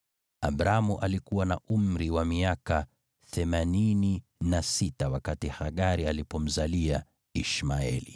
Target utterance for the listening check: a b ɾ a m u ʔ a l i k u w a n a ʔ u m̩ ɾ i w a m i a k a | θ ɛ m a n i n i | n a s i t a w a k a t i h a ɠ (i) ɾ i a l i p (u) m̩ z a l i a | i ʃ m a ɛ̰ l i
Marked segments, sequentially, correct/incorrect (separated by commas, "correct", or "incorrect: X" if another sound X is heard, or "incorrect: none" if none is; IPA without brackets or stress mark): incorrect: a, incorrect: ɔ